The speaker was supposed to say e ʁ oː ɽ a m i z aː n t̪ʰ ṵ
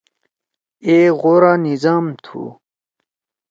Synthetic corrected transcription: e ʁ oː ɾ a n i z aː m t̪ʰ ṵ